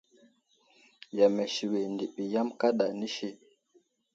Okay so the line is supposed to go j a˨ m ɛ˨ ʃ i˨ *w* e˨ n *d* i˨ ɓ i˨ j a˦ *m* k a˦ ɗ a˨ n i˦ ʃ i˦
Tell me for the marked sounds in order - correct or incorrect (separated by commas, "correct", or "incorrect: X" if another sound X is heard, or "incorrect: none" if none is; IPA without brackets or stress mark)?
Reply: correct, correct, correct